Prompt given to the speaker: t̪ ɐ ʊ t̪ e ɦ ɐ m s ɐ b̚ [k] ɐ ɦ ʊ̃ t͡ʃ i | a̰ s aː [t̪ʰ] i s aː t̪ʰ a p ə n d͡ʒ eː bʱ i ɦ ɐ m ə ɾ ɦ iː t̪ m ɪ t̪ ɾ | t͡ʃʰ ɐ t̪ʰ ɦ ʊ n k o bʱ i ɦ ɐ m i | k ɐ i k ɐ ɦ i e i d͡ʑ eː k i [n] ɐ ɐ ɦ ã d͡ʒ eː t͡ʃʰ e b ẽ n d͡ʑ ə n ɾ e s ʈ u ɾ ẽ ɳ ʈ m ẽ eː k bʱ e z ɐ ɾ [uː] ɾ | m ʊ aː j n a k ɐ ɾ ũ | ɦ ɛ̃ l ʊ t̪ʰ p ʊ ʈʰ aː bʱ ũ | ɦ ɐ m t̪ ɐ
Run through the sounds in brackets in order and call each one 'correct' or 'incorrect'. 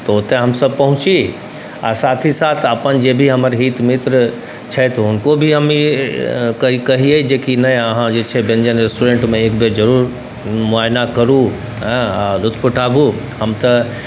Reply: incorrect: p, correct, correct, correct

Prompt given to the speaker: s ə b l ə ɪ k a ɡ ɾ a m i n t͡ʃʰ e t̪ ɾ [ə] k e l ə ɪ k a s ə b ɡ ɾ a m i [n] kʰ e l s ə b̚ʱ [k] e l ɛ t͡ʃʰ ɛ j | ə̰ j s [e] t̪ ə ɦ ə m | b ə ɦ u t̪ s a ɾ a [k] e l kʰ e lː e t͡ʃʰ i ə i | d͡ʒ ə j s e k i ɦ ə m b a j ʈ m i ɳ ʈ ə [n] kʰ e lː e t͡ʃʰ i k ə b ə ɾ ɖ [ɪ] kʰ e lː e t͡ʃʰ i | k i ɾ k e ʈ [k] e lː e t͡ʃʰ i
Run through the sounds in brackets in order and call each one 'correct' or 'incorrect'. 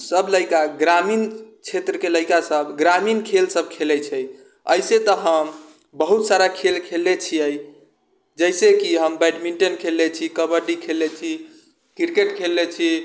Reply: correct, correct, incorrect: kʰ, correct, incorrect: kʰ, correct, incorrect: i, incorrect: kʰ

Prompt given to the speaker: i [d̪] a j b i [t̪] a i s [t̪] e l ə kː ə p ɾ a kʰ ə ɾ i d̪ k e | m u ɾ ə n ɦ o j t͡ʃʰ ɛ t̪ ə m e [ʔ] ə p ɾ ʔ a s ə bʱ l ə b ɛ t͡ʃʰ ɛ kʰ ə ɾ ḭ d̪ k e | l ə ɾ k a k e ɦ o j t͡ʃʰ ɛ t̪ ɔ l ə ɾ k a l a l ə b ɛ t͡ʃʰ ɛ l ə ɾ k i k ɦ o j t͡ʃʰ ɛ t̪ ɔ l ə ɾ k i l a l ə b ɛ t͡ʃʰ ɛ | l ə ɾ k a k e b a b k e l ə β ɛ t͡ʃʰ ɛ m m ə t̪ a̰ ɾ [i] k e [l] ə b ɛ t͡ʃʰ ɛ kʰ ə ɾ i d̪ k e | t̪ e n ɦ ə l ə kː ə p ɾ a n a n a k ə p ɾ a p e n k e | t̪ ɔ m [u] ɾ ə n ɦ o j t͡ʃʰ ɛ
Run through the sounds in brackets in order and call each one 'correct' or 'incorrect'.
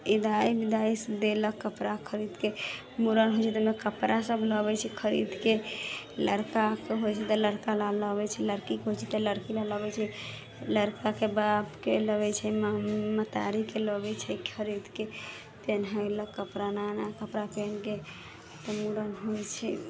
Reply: correct, incorrect: d̪, incorrect: d̪, incorrect: k, correct, correct, correct

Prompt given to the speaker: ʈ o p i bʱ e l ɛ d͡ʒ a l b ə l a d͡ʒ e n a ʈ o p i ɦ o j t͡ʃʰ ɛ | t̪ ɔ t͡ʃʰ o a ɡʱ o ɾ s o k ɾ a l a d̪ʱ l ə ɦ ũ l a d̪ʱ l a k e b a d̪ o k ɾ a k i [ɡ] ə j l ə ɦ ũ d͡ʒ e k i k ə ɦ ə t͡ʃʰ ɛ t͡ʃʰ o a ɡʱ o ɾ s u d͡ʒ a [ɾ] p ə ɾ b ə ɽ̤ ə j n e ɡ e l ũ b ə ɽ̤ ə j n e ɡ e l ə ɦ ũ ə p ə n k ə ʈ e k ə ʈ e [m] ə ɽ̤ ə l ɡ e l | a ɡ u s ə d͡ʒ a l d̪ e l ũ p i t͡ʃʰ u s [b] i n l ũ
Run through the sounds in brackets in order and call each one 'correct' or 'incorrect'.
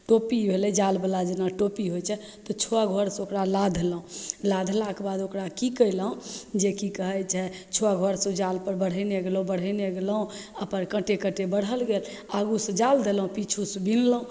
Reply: incorrect: k, incorrect: l, incorrect: b, correct

